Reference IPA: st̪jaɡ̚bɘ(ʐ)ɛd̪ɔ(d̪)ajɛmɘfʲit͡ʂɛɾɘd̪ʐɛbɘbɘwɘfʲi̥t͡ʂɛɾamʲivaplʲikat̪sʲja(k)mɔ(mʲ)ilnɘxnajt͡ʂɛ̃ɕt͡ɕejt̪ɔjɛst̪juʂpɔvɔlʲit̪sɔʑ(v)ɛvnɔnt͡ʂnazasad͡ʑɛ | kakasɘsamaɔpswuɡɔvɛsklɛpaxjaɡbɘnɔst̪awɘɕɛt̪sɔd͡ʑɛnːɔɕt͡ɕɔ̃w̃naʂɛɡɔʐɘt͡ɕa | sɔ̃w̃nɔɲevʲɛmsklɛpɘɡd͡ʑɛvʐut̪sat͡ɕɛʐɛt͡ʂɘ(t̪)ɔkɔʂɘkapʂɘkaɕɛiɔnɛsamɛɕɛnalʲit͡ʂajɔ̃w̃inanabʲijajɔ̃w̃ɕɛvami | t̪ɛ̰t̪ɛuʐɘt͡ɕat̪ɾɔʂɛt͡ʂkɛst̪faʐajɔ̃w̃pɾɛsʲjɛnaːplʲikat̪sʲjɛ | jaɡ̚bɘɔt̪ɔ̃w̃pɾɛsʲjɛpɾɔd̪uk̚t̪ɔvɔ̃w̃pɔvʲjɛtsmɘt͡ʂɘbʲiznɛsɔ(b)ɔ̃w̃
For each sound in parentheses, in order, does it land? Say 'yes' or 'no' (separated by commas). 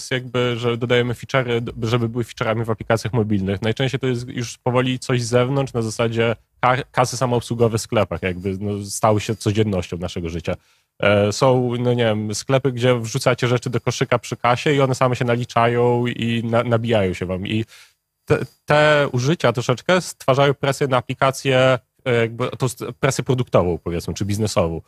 yes, yes, no, no, no, no, no